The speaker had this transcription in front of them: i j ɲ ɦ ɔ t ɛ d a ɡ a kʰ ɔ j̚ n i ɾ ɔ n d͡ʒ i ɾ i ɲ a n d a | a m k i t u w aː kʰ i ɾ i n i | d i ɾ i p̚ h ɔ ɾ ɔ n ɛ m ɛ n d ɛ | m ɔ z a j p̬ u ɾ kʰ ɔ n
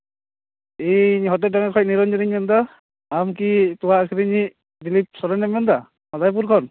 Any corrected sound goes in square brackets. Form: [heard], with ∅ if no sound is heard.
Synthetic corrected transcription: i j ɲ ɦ ɔ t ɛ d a [ŋ] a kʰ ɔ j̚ n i ɾ ɔ n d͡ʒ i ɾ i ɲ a n d a | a m k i t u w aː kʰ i ɾ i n i | d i [l] i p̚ [s] ɔ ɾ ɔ n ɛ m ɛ n d [a] | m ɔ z a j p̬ u ɾ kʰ ɔ n